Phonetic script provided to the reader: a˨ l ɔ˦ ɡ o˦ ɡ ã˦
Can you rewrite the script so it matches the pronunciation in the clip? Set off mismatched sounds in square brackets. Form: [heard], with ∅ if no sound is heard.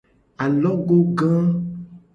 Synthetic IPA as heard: a˨ l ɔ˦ ɡ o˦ ɡ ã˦

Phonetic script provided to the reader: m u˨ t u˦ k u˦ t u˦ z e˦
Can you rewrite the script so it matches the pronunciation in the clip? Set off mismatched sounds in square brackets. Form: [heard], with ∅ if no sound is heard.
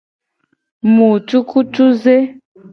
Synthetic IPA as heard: m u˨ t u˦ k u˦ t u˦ z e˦

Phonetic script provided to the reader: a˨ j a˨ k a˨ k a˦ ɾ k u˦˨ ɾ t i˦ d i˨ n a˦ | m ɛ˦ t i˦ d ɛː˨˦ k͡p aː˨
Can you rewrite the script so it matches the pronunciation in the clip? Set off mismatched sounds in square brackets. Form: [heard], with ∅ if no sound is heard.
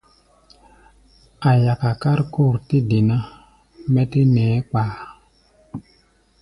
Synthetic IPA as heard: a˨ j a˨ k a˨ k a˦ ɾ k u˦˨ ɾ t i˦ d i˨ n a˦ | m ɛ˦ t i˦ [n] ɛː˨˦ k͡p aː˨

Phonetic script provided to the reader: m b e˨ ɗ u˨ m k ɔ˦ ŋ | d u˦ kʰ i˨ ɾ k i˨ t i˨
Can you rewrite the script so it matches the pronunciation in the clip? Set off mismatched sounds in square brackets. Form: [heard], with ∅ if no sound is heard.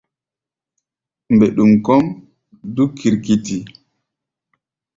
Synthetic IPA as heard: m b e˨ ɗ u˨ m k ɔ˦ [m] | d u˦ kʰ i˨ ɾ k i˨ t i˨

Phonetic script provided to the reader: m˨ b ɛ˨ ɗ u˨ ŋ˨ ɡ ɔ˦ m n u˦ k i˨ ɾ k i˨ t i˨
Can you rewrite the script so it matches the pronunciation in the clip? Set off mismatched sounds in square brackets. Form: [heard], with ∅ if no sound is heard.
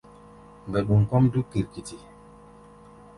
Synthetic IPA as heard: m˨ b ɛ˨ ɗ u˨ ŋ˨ [k] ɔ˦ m [d] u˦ k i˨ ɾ k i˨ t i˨

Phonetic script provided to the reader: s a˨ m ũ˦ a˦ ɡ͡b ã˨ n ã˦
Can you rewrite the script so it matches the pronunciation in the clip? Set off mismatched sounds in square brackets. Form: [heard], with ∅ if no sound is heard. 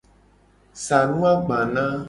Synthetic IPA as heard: s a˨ [n] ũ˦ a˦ ɡ͡b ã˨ n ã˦

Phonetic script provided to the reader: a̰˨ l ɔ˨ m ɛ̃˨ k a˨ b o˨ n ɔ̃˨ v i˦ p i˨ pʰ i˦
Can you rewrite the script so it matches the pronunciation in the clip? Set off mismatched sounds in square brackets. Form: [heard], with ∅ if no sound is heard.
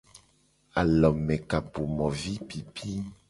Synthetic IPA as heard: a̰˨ l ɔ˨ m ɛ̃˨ k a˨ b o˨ [m] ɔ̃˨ v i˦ p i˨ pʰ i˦

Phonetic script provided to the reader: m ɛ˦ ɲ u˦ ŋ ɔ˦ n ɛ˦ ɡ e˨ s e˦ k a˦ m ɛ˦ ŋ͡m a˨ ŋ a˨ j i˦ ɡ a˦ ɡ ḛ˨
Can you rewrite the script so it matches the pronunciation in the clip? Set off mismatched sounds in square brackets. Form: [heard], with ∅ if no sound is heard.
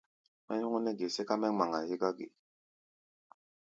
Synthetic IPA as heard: m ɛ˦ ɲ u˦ ŋ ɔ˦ n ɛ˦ ɡ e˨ s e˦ k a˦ m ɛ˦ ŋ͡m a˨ ŋ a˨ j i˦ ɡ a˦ ɡ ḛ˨

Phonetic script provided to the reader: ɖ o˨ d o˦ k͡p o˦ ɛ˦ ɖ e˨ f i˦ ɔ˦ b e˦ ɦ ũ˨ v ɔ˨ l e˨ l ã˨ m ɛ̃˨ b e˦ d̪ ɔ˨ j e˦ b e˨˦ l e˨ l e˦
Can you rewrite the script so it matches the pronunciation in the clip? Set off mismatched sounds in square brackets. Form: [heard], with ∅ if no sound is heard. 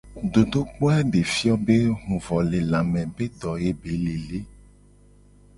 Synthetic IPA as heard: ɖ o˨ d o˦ k͡p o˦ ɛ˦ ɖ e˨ f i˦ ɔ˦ b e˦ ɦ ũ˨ v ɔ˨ l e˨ l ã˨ m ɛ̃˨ b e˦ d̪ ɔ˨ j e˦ b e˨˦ l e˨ l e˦

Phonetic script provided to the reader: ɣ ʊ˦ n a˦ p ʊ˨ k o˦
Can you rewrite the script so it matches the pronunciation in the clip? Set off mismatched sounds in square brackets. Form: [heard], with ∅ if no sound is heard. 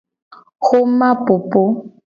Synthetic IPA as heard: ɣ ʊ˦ [m] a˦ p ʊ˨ [p] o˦

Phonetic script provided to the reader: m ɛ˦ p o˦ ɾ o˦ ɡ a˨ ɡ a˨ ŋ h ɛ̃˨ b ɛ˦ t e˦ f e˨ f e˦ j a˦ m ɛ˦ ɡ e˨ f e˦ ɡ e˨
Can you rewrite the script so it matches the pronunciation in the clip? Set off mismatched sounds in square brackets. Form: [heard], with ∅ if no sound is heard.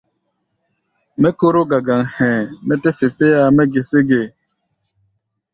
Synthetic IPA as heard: m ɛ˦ [k] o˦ ɾ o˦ ɡ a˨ ɡ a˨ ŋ h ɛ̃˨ [m] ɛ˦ t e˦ f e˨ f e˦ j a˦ m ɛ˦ ɡ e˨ [s] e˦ ɡ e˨

